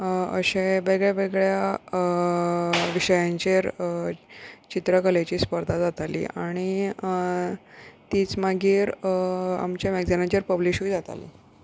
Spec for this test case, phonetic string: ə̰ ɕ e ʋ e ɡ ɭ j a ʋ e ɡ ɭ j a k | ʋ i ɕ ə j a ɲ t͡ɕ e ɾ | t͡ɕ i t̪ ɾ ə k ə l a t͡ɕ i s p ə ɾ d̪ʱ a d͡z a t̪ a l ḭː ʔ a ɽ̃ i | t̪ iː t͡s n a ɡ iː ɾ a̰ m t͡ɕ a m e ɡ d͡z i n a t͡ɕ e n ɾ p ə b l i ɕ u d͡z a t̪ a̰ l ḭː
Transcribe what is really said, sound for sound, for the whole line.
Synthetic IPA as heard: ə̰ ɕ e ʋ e ɡ ɭ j a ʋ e ɡ ɭ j a | ʋ i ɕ ə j a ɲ t͡ɕ e ɾ | t͡ɕ i t̪ ɾ ə k ə l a t͡ɕ iː s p ə ɾ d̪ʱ a d͡z a t̪ a l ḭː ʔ a ɽ̃ i | t̪ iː t͡s m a ɡ iː ɾ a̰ m t͡ɕ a m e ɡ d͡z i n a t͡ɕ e ɾ p ə b l i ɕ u d͡z a t̪ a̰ l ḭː

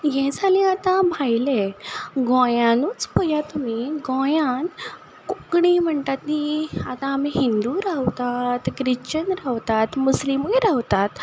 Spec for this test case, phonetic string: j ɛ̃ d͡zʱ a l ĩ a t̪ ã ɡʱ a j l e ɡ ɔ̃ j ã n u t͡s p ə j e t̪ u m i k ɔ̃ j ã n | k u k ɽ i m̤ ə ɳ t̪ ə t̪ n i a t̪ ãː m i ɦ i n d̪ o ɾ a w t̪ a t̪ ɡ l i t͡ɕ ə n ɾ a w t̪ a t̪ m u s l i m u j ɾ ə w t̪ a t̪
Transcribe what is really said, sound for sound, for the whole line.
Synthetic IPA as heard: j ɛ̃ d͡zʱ a l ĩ a t̪ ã bʱ a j l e ɡ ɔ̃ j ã n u t͡s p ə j a t̪ u m i ɡ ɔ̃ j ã n | k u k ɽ i m̤ ə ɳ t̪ a t̪ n i a t̪ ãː m i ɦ i n d̪ u ɾ a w t̪ a t̪ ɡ ɾ i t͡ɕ ə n ɾ a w t̪ a t̪ m u s l i m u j ɾ a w t̪ a t̪

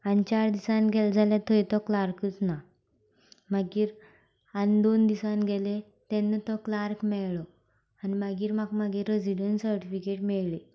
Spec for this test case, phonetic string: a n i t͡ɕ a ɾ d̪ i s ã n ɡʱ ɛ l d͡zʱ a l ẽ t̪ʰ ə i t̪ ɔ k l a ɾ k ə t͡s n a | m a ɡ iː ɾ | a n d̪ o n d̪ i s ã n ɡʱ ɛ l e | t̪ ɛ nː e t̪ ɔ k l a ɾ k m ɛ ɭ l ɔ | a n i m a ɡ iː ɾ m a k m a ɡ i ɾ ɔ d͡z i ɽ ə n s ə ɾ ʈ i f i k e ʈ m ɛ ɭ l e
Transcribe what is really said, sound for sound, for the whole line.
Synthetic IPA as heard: a n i t͡ɕ a ɾ d̪ i s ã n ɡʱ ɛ l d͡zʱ a l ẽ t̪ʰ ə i t̪ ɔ k l a ɾ k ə t͡s n a | m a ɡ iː ɾ | a n d̪ o n d̪ i s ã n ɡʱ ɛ l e | t̪ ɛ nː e t̪ ɔ k l a ɾ k m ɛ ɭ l ɔ | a n i m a ɡ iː ɾ m a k m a ɡ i ɾ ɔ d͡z i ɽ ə n s ə ɾ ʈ i f i k e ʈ m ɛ ɭ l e

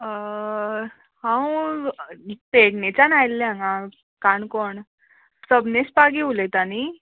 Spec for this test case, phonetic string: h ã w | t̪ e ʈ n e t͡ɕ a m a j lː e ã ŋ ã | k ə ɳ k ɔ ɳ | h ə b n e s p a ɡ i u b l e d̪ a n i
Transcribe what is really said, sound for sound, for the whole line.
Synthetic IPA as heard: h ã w | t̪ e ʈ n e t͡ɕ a n a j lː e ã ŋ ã | k a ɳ k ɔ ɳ | s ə b n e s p a ɡ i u l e t̪ a n i

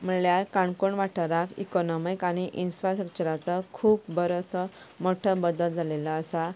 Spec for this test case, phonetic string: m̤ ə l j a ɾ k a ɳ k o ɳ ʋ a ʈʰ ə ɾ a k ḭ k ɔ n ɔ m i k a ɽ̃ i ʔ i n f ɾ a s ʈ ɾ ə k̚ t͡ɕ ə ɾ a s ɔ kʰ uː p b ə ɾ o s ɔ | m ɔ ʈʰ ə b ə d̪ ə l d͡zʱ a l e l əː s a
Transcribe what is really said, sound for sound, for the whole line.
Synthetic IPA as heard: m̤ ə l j a ɾ k a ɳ k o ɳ ʋ a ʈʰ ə ɾ a k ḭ k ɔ n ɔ m i k a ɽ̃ i ʔ i n f ɾ a s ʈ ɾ ə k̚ t͡ɕ ə ɾ a t͡s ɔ kʰ uː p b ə ɾ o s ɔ | m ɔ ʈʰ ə b ə d̪ ə l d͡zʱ a l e l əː s a

